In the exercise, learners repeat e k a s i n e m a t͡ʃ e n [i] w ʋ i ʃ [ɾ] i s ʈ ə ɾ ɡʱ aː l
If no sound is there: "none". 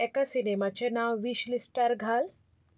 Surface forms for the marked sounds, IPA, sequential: a, l

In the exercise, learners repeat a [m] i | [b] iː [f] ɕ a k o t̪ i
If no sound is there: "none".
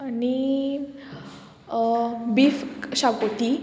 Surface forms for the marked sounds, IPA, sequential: n, b, f

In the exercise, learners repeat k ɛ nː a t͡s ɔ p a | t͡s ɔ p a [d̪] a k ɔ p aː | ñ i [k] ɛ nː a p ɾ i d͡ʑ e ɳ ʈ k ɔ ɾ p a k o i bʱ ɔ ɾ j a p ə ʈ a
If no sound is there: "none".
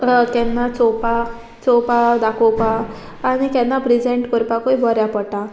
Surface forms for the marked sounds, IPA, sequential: d̪, k

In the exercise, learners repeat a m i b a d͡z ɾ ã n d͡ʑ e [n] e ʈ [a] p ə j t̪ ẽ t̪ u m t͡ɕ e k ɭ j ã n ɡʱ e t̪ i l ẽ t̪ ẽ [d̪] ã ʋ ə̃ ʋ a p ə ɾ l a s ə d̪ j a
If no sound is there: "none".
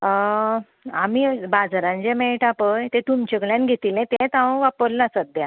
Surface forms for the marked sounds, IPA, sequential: m, a, t̪

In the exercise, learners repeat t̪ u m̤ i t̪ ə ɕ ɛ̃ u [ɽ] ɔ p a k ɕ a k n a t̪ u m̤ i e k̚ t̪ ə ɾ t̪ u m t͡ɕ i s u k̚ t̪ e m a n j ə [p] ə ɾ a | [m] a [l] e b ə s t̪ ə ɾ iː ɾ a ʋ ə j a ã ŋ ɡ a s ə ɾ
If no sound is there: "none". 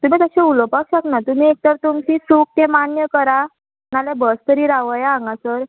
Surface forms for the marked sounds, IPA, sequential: l, k, n, l

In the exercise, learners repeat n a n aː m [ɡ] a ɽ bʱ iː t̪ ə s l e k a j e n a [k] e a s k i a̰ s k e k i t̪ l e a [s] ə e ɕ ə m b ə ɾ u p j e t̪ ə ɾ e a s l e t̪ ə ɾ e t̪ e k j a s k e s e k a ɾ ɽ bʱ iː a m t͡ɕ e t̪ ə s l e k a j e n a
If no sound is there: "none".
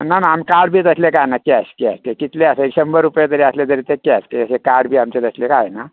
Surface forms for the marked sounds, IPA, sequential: k, k, s

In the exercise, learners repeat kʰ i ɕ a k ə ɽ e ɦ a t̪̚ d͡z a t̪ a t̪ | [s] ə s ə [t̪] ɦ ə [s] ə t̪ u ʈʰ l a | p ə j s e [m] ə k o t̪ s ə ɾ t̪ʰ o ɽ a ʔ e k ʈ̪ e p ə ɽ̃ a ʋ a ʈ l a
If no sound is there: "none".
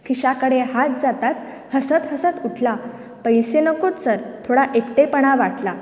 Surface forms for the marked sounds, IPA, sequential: h, t̪, s, n

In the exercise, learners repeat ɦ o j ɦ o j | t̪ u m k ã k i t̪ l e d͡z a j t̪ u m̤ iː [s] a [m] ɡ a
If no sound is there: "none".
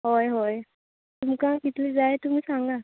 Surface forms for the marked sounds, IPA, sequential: s, ŋ

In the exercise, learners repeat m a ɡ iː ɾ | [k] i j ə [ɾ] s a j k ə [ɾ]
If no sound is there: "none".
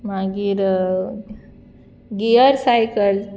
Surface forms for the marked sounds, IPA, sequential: ɡ, ɾ, l

